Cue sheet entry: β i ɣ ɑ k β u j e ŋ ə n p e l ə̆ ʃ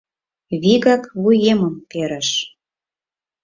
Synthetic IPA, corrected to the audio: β i ɣ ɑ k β u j e m ə m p e ɾ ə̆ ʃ